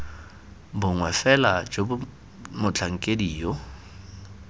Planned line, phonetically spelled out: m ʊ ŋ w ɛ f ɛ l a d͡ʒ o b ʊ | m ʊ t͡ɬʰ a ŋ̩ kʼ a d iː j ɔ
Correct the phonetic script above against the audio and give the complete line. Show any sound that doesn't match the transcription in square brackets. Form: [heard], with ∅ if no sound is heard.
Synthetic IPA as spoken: [b] ʊ ŋ w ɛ f ɛ l a d͡ʒ o b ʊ | m ʊ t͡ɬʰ a ŋ̩ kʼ [e] d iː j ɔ